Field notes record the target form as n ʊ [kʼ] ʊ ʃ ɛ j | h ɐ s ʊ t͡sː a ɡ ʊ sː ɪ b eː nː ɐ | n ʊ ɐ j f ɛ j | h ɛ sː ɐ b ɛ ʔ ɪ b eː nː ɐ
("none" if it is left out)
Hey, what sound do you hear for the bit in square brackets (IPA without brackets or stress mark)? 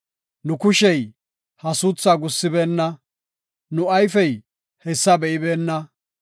k